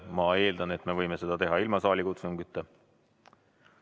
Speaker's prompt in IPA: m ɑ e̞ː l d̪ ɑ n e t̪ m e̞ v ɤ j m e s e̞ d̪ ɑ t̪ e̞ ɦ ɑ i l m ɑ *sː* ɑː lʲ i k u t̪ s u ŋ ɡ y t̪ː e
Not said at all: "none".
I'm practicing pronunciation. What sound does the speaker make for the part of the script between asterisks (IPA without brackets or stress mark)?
s